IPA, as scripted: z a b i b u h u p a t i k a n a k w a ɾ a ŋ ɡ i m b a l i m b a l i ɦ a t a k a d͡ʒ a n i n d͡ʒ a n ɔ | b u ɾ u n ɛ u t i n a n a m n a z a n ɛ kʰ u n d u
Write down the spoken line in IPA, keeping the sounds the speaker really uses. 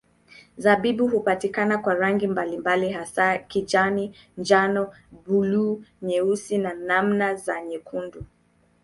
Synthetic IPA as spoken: z a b i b u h u p a t i k a n a k w a ɾ a ŋ ɡ i m b a l i m b a l i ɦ a s a k i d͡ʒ a n i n d͡ʒ a n ɔ | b u l u ɲ ɛ u s i n a n a m n a z a ɲ ɛ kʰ u n d u

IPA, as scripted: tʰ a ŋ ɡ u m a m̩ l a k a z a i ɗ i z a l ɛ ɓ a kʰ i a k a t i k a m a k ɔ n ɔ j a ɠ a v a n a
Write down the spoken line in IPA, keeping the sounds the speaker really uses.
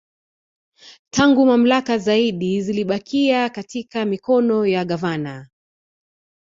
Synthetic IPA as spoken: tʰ a ŋ ɡ u m a m̩ l a k a z a i ɗ i z i l i ɓ a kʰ i a k a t i k a m i k ɔ n ɔ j a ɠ a v a n a

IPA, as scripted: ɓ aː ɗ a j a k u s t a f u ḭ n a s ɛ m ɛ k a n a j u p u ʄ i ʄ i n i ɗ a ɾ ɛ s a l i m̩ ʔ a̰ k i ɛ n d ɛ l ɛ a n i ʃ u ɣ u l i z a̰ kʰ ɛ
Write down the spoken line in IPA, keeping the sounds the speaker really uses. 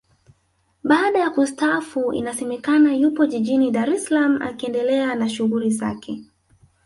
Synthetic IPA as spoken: ɓ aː ɗ a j a k u s t a f u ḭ n a s ɛ m ɛ k a n a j u p ɔ ʄ i ʄ i n i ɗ a ɾ ɛ s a l a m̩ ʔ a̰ k i ɛ n d ɛ l ɛ a n a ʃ u ɣ u l i z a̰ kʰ ɛ

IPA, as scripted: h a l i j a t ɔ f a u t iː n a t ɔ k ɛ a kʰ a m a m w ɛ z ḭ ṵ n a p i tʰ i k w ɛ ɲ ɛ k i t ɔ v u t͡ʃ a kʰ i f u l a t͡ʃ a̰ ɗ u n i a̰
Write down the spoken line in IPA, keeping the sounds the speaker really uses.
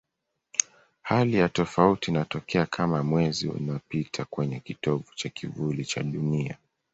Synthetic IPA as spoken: h a l i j a t ɔ f a u t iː n a t ɔ k ɛ a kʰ a m a m w ɛ z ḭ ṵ n a p i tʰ a k w ɛ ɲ ɛ k i t ɔ v u t͡ʃ a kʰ i v u l i t͡ʃ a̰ ɗ u n i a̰

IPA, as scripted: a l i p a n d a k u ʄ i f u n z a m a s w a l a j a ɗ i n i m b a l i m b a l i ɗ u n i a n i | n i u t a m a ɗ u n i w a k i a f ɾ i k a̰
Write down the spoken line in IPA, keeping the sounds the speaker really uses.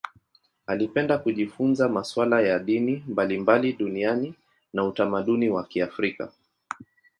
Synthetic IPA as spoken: a l i p ɛ n d a k u ʄ i f u n z a m a s w a l a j a ɗ i n i m b a l i m b a l i ɗ u n i a n i | n a u t a m a ɗ u n i w a k i a f ɾ i k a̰

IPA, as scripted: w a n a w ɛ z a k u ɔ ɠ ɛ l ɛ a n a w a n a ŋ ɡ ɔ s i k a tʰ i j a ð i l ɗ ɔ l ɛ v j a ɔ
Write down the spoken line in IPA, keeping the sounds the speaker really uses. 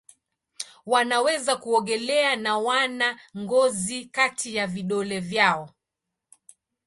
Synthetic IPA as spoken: w a n a w ɛ z a k u ɔ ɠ ɛ l ɛ a n a w a n a ŋ ɡ ɔ z i k a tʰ i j a v i ɗ ɔ l ɛ v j a ɔ

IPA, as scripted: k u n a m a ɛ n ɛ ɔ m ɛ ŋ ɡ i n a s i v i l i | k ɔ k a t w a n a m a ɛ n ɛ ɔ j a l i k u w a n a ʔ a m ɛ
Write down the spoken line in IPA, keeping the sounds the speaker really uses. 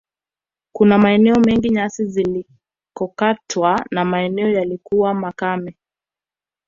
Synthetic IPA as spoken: k u n a m a ɛ n ɛ ɔ m ɛ ŋ ɡ i ɲ a s i z i l i | k ɔ k a t w a n a m a ɛ n ɛ ɔ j a l i k u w a m a k a m ɛ

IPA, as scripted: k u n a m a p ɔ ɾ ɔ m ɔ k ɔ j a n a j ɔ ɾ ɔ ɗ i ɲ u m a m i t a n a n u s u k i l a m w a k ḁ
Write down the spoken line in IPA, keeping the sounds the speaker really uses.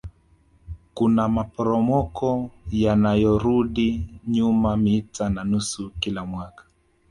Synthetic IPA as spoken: k u n a m a p ɔ ɾ ɔ m ɔ k ɔ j a n a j ɔ ɾ u ɗ i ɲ u m a m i t a n a n u s u k i l a m w a k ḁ

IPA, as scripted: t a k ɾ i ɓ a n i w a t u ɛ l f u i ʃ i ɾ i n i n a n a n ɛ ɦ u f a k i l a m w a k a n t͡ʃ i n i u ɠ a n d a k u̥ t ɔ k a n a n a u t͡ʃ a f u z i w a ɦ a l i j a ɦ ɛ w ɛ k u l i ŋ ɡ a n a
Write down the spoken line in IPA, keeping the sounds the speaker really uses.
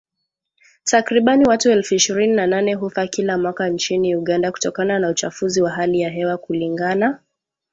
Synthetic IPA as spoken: t a k ɾ i ɓ a n i w a t u ɛ l f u i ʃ i ɾ i n i n a n a n ɛ ɦ u f a k i l a m w a k a n t͡ʃ i n i u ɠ a n d a k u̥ t ɔ k a n a n a u t͡ʃ a f u z i w a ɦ a l i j a ɦ ɛ w a k u l i ŋ ɡ a n a

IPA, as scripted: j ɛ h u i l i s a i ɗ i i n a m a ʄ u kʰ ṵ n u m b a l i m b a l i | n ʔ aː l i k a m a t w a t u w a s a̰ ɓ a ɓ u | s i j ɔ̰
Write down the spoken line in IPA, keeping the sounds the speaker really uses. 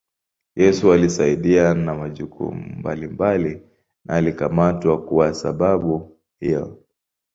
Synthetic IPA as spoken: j ɛ s u a l i s a i ɗ i a n a m a ʄ u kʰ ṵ m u m b a l i m b a l i | n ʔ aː l i k a m a t w a k u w a s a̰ ɓ a ɓ u | h i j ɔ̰

